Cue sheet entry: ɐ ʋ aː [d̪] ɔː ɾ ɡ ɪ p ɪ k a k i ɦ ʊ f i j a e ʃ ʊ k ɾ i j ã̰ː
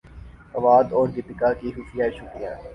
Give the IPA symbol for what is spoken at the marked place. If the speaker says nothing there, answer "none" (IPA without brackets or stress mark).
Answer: d̪